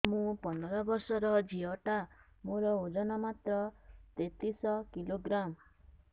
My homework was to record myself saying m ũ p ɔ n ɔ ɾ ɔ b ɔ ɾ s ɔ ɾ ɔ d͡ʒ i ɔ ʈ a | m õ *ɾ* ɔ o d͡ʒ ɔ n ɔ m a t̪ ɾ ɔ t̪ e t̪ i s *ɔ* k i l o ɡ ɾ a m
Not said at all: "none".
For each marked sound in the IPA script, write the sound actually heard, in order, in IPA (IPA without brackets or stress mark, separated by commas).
ɾ, ɔ